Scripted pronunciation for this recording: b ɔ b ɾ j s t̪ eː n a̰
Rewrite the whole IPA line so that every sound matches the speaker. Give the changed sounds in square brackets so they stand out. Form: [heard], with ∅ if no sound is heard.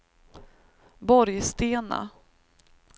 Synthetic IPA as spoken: b ɔ [∅] ɾ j s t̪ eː n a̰